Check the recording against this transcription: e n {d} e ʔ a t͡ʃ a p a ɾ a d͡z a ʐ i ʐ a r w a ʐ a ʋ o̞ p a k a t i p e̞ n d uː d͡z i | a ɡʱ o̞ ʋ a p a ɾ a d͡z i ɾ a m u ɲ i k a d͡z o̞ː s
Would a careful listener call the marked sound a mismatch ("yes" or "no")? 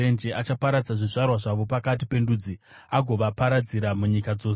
yes